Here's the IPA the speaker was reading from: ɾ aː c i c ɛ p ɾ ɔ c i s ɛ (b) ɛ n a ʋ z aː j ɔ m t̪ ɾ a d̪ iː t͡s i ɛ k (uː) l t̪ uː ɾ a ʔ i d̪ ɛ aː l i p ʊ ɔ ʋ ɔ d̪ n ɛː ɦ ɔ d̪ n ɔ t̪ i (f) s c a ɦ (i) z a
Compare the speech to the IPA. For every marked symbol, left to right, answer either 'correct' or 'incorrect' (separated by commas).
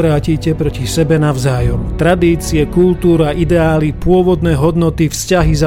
correct, incorrect, correct, correct